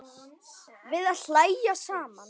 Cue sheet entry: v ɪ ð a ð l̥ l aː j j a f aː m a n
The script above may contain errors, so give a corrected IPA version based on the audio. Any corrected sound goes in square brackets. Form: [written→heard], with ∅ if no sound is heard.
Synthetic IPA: v ɪ ð a ð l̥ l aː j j a [f→s] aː m a n

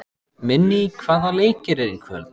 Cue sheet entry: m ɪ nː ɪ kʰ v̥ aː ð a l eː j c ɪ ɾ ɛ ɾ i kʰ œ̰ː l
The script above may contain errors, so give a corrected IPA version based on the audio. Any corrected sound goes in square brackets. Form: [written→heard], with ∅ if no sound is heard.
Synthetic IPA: m ɪ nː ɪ kʰ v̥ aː ð a l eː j c ɪ ɾ ɛ ɾ i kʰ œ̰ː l

